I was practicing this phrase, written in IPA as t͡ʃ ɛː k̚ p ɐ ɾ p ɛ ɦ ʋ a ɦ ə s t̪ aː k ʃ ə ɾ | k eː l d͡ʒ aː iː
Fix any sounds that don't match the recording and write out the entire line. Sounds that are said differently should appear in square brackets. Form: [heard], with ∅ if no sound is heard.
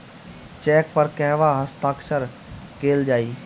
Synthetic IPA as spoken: t͡ʃ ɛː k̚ p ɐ ɾ [k] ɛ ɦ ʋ a ɦ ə s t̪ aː k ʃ ə ɾ | k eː l d͡ʒ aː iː